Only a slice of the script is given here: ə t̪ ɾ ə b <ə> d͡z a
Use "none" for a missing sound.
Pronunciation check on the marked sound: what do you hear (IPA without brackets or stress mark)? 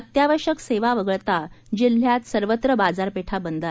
a